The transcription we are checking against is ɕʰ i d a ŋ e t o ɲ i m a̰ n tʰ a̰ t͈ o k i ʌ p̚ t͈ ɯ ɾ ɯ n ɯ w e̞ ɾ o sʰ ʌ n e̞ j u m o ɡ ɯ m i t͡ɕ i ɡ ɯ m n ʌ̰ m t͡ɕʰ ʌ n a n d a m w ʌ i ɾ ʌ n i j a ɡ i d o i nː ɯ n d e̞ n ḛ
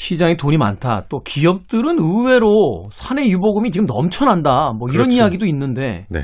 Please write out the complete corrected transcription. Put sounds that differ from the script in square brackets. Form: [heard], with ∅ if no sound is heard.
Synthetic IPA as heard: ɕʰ i [d͡ʑ] a ŋ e t o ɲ i m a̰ n tʰ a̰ t͈ o k i ʌ p̚ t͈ ɯ ɾ ɯ n ɯ w e̞ ɾ o sʰ [a] n e̞ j u [b] o ɡ ɯ m i t͡ɕ i ɡ ɯ m n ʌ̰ m t͡ɕʰ ʌ n a n d a m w ʌ i ɾ ʌ n i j a ɡ i d o i nː ɯ n d e̞ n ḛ